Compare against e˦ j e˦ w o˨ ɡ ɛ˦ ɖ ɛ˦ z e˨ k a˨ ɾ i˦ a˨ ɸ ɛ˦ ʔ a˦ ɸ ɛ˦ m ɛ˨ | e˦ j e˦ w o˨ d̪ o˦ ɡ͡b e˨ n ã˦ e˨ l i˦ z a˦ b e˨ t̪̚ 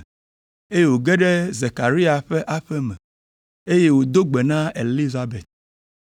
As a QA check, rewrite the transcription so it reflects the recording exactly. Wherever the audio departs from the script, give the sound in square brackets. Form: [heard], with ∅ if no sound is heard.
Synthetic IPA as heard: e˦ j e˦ w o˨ ɡ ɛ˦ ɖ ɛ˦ z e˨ k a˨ ɾ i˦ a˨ ɸ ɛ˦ ʔ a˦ ɸ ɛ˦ m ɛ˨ | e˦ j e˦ w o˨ d̪ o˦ ɡ͡b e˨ n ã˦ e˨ l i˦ z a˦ b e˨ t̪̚

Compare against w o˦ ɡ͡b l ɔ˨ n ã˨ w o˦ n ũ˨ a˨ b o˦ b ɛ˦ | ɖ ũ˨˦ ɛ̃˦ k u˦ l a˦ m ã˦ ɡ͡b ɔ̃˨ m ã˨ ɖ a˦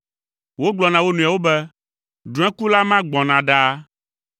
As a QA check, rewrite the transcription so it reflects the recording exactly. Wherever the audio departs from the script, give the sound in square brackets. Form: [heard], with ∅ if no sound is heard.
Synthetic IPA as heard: w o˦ ɡ͡b l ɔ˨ n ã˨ w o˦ n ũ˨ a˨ [w] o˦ b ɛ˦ | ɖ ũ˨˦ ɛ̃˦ k u˦ l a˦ m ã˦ ɡ͡b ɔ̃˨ [n] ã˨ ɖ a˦

